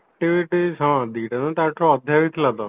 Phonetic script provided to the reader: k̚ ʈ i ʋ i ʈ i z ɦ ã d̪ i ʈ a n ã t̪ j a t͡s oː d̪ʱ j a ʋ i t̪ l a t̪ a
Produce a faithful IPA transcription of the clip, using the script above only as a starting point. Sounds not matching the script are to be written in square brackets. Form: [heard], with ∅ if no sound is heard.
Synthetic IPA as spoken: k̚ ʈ i ʋ i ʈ i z ɦ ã d̪ i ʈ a n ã t̪ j a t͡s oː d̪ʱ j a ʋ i t̪ l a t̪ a